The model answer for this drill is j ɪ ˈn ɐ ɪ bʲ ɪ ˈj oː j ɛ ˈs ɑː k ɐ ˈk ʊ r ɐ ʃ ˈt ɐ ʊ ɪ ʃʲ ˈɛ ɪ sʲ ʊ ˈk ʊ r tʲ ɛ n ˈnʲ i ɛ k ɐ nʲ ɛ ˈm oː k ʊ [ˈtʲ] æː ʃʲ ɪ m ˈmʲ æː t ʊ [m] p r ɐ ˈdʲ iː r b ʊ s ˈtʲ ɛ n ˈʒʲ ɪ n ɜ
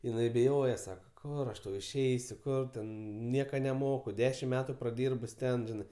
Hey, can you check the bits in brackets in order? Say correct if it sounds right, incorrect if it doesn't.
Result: incorrect: dʲ, incorrect: none

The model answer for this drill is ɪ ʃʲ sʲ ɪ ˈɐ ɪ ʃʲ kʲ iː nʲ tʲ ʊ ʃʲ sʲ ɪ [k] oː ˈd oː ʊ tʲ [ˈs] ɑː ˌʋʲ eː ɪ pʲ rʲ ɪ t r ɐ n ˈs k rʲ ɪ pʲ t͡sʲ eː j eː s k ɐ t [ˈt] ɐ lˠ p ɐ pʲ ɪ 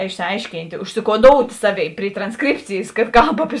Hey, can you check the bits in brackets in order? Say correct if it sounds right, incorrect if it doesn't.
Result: correct, correct, incorrect: k

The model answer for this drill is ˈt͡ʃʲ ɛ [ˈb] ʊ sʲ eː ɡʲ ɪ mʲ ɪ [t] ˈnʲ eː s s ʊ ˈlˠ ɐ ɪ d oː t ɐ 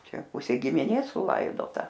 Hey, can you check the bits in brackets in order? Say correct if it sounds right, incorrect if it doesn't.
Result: incorrect: p, incorrect: none

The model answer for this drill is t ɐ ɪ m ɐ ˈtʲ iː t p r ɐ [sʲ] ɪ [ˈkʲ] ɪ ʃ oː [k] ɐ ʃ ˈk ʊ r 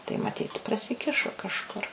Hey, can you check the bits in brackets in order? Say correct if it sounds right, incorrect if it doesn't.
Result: correct, correct, correct

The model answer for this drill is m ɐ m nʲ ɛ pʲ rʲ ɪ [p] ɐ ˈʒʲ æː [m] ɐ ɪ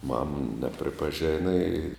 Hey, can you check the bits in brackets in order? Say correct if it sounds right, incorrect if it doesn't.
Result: correct, incorrect: n

